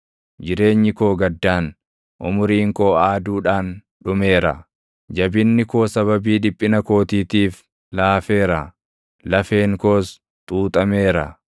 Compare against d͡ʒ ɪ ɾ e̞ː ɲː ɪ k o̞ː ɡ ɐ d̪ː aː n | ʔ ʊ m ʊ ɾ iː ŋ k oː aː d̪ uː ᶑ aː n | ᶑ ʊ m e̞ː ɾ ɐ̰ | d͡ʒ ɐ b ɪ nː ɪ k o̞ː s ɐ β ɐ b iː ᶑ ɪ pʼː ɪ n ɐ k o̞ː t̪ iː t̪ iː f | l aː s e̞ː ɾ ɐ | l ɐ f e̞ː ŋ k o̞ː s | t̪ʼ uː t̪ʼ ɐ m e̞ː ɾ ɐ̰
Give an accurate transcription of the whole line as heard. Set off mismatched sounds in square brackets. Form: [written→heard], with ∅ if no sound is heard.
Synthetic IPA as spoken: d͡ʒ ɪ ɾ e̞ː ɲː ɪ k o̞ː ɡ ɐ d̪ː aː n | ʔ ʊ m ʊ ɾ iː ŋ k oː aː d̪ uː ᶑ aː n | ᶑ ʊ m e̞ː ɾ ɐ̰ | d͡ʒ ɐ b ɪ nː ɪ k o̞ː s ɐ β ɐ b iː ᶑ ɪ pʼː ɪ n ɐ k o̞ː t̪ iː t̪ iː f | l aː [s→f] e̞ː ɾ ɐ | l ɐ f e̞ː ŋ k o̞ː s | t̪ʼ uː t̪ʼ ɐ m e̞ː ɾ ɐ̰

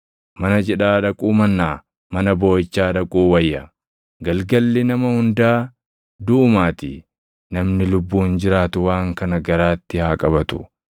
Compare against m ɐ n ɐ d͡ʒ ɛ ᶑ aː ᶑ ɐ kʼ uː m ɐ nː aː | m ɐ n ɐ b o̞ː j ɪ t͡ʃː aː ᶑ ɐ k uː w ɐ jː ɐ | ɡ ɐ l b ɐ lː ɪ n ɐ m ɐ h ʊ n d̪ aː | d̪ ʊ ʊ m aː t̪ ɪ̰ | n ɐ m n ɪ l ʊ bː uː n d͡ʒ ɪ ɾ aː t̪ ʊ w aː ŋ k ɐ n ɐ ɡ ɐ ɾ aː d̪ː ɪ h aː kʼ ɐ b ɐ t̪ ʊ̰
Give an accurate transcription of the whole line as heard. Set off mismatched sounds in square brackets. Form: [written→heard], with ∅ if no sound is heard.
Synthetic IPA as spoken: m ɐ n ɐ d͡ʒ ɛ ᶑ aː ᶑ ɐ kʼ uː m ɐ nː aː | m ɐ n ɐ b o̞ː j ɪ t͡ʃː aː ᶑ ɐ [k→kʼ] uː w ɐ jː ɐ | ɡ ɐ l [b→ɡ] ɐ lː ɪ n ɐ m ɐ h ʊ n d̪ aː | d̪ ʊ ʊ m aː t̪ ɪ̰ | n ɐ m n ɪ l ʊ bː uː n d͡ʒ ɪ ɾ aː t̪ ʊ w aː ŋ k ɐ n ɐ ɡ ɐ ɾ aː [d̪ː→t̪ː] ɪ h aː kʼ ɐ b ɐ t̪ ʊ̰

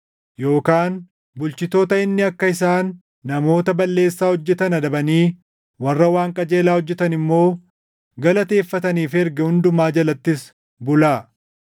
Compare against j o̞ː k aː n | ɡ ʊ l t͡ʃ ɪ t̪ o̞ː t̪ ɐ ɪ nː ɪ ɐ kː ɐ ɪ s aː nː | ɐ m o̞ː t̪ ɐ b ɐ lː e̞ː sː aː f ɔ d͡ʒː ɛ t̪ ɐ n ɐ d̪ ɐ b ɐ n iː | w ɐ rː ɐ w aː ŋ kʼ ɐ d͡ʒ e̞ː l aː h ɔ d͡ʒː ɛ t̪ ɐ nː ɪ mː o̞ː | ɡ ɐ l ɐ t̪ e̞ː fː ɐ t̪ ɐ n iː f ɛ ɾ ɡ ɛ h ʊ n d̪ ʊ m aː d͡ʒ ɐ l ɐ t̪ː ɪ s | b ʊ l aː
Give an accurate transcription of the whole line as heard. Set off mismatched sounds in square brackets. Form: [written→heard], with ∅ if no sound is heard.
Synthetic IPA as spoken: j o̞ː k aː n | [ɡ→b] ʊ l t͡ʃ ɪ t̪ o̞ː t̪ ɐ ɪ nː ɪ ɐ kː ɐ ɪ s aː nː | ɐ m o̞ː t̪ ɐ b ɐ lː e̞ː sː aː [f→h] ɔ d͡ʒː ɛ t̪ ɐ n ɐ d̪ ɐ b ɐ n iː | w ɐ rː ɐ w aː ŋ kʼ ɐ d͡ʒ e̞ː l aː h ɔ d͡ʒː ɛ t̪ ɐ [nː→n] ɪ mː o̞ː | ɡ ɐ l ɐ t̪ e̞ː fː ɐ t̪ ɐ n iː f ɛ ɾ ɡ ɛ h ʊ n d̪ ʊ m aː d͡ʒ ɐ l ɐ t̪ː ɪ s | b ʊ l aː

